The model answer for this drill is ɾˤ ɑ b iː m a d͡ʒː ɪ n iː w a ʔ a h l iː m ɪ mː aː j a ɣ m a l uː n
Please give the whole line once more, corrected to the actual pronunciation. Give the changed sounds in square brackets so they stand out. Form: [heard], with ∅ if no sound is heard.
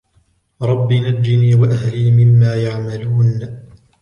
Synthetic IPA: ɾˤ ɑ [bː] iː [n] a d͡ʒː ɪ n iː w a ʔ a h l iː m ɪ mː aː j a [ʕ] m a l uː n